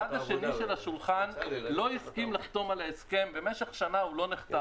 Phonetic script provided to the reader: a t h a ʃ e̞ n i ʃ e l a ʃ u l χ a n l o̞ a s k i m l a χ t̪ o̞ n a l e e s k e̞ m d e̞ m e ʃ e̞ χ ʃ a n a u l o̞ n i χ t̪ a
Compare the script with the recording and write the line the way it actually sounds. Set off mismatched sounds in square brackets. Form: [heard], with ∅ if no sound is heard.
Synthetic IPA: a [d] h a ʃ e̞ n i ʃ e l a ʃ u l χ a n l o̞ [i] s k i m l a χ t̪ o̞ [m] a l [a] e s k e̞ m [b] e̞ m e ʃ e̞ χ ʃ a n a u l o̞ n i χ t̪ a